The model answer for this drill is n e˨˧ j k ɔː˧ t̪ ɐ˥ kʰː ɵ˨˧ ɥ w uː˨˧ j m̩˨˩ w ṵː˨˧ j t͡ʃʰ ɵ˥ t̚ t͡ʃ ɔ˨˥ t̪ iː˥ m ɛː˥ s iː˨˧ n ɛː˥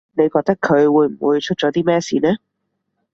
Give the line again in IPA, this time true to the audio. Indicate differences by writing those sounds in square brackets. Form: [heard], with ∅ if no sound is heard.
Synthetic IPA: n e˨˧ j k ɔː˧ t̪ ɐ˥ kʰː ɵ˨˧ ɥ w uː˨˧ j m̩˨˩ w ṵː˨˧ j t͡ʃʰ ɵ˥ t̚ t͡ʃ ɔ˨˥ t̪ iː˥ m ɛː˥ s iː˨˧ n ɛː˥